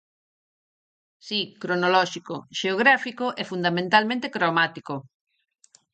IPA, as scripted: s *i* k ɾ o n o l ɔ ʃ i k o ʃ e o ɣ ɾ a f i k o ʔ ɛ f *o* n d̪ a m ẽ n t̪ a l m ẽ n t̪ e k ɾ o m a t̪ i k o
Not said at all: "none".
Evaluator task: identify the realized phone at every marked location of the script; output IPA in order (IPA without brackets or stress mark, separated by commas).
i, u